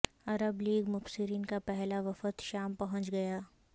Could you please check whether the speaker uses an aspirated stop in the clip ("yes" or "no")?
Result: no